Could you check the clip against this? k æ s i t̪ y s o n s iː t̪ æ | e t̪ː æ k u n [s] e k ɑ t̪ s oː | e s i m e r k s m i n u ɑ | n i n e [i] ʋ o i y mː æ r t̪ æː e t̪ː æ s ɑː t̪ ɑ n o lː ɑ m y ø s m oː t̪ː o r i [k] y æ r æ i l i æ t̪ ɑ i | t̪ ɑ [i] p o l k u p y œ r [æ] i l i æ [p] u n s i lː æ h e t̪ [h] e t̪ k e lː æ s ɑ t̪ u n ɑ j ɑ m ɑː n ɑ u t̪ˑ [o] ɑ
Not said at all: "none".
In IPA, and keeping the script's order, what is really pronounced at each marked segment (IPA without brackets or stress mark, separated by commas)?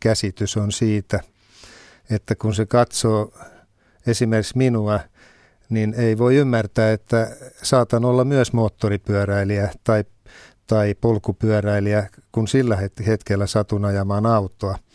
s, i, p, i, æ, k, h, o